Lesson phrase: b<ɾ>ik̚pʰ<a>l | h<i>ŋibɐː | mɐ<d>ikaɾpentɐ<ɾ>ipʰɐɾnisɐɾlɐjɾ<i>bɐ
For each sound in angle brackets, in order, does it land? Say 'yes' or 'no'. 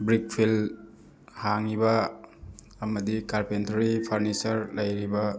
yes, no, no, yes, yes, yes

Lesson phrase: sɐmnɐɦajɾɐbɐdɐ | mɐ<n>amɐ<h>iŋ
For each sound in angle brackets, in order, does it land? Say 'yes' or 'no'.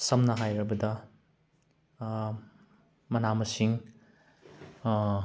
yes, no

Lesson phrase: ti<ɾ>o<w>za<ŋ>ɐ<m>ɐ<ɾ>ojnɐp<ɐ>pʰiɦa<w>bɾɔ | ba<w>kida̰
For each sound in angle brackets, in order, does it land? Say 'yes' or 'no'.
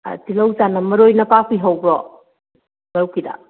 no, yes, no, yes, yes, no, yes, yes

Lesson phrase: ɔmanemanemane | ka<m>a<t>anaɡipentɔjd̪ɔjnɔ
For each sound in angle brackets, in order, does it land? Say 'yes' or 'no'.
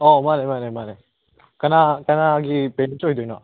no, no

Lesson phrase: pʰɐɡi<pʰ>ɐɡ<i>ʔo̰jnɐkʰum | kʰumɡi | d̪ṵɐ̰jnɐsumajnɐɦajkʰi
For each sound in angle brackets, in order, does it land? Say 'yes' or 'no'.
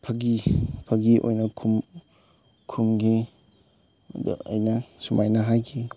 yes, yes

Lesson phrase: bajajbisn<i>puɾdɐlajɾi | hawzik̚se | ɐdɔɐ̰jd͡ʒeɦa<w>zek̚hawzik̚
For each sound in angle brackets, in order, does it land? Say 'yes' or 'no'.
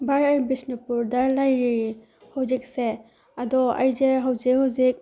yes, yes

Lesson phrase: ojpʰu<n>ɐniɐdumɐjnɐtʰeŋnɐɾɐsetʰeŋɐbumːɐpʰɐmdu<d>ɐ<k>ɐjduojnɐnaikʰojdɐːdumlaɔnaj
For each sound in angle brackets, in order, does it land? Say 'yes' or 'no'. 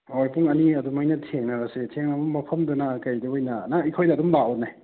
no, no, yes

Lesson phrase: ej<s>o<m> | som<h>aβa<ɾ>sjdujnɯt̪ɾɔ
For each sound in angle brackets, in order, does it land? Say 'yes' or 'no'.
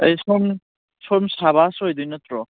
yes, yes, no, no

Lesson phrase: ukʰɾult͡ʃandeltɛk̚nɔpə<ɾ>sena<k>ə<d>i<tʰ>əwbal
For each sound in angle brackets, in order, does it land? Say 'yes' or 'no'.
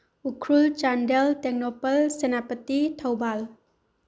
no, no, no, yes

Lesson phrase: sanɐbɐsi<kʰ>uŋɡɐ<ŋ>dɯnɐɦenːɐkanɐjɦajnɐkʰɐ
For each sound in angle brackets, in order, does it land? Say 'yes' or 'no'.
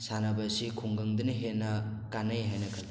yes, yes

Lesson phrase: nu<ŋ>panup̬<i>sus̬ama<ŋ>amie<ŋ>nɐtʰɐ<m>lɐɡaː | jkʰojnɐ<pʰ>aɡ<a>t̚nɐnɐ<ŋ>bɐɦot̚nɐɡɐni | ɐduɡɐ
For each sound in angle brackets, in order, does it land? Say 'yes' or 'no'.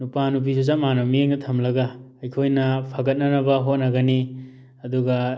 no, yes, no, yes, yes, yes, no, no

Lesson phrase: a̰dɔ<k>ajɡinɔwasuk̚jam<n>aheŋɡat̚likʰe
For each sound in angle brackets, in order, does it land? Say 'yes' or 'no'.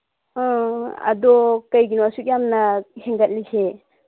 yes, yes

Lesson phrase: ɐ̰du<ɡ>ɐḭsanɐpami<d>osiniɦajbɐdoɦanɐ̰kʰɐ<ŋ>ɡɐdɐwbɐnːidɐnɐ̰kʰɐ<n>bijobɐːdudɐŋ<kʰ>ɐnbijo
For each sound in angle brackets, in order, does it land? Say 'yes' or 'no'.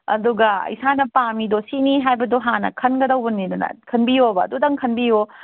yes, yes, no, yes, yes

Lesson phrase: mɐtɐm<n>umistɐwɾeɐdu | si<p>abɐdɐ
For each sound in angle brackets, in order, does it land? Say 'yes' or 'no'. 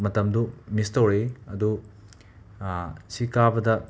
no, no

